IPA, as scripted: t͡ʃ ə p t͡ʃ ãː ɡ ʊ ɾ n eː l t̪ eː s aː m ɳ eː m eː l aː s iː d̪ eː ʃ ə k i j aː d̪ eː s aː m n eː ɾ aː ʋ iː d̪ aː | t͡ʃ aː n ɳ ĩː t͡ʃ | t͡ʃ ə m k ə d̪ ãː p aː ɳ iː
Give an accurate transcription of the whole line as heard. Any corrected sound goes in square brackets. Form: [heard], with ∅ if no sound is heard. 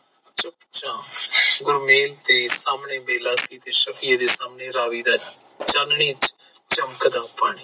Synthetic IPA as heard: t͡ʃ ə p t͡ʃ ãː ɡ ʊ ɾ [m] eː l t̪ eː s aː m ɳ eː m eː l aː s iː [t̪] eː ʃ ə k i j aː d̪ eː s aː m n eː ɾ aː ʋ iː d̪ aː | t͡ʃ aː n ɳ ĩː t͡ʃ | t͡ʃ ə m k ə d̪ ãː p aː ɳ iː